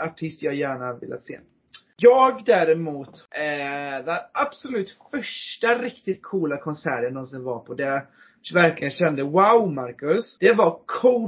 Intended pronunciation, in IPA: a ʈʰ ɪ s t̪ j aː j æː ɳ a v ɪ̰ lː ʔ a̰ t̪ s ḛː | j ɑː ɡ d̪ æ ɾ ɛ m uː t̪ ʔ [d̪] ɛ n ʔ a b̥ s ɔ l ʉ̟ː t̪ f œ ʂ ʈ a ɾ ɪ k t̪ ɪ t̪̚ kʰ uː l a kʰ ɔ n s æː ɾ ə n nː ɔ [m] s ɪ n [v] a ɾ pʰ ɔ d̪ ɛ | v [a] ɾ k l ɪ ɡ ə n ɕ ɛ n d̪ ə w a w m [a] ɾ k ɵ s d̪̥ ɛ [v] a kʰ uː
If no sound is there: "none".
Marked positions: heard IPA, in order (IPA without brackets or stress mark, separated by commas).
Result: d̪, n, v, æ, a, v